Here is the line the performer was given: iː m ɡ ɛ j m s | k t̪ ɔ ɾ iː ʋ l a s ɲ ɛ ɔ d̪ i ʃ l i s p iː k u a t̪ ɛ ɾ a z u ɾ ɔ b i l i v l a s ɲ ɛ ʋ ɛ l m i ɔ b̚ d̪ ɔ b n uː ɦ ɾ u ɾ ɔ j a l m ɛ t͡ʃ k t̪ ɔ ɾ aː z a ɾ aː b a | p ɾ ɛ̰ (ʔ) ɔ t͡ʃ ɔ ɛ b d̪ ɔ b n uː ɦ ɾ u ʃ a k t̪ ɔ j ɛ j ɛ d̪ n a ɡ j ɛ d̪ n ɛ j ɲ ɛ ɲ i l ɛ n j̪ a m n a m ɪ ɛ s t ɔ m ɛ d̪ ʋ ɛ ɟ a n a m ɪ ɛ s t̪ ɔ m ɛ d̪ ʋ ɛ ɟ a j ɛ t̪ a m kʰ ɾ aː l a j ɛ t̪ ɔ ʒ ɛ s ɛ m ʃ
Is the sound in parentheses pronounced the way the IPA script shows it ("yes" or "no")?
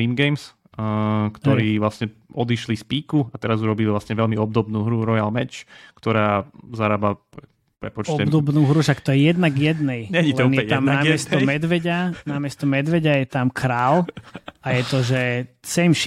no